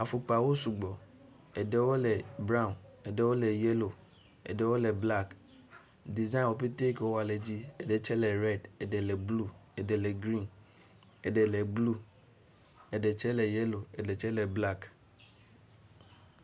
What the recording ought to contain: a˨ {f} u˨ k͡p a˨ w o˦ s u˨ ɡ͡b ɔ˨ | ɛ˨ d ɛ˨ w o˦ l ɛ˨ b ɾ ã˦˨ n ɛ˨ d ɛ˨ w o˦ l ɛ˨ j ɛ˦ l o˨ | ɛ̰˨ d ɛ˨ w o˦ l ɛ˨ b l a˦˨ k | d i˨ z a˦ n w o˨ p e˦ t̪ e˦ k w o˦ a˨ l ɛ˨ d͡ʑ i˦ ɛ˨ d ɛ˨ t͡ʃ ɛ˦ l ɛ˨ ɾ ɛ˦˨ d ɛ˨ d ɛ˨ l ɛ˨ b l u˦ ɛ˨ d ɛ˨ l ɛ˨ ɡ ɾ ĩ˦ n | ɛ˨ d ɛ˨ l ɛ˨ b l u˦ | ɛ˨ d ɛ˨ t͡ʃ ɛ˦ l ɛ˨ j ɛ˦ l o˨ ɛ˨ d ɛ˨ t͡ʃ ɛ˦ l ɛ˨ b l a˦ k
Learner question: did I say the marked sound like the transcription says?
yes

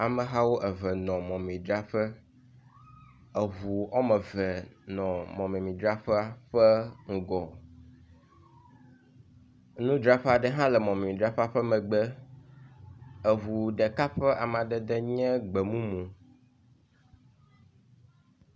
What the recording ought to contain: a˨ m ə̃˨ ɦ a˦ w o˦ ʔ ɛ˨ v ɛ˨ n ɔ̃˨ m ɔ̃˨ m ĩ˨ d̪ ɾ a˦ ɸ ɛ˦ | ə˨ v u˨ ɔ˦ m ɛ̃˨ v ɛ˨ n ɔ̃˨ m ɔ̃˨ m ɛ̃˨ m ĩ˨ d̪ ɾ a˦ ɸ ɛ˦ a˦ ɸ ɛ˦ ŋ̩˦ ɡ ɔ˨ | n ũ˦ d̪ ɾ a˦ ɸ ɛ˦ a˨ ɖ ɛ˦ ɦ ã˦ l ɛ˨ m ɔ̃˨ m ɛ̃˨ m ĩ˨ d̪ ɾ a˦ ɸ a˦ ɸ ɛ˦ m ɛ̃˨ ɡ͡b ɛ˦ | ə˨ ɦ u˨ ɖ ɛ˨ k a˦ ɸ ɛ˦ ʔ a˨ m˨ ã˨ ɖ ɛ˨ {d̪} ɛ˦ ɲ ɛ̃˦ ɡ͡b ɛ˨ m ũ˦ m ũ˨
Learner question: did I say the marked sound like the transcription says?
yes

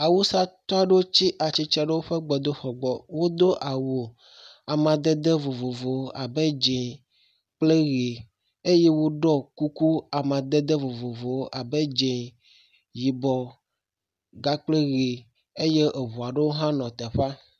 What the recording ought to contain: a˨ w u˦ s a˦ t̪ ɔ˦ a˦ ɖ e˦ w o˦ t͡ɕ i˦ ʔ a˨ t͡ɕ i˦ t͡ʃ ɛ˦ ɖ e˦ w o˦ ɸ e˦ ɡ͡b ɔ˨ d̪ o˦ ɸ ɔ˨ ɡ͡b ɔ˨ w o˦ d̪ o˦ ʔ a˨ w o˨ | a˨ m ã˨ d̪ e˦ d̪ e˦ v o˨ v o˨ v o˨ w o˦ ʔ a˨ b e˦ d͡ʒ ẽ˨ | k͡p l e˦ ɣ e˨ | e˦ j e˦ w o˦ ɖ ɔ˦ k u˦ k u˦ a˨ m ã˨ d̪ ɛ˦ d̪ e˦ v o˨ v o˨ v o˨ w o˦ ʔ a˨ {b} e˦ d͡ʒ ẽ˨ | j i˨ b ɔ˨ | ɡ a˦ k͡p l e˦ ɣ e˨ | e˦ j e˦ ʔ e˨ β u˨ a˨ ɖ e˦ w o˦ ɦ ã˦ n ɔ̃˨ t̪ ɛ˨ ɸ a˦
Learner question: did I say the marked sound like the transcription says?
yes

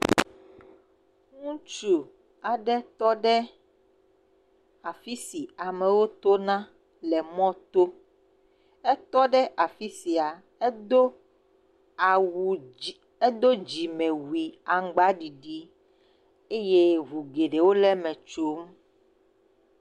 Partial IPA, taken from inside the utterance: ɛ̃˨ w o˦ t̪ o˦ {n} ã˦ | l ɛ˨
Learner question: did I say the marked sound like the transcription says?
yes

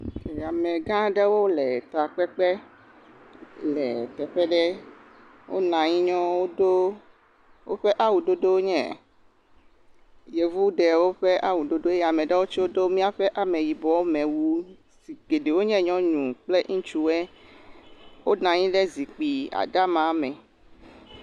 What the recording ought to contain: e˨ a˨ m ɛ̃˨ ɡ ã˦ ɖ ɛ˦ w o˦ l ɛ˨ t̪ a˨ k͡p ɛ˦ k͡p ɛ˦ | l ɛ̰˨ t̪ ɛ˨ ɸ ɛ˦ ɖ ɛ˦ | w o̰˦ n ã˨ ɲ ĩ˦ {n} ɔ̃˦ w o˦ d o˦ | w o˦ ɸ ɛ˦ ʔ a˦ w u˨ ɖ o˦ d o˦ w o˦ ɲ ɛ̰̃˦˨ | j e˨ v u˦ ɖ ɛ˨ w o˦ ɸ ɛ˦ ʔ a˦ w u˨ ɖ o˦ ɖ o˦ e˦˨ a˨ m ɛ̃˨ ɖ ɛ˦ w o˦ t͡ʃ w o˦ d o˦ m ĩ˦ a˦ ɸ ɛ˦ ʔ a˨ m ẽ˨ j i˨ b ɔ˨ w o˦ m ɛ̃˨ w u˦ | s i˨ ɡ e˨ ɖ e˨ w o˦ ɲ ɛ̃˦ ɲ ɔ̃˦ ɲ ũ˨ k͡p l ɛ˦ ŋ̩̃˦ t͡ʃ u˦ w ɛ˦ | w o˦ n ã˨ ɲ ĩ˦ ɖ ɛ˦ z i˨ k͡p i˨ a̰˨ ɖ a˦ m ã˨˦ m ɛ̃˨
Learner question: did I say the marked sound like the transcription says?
no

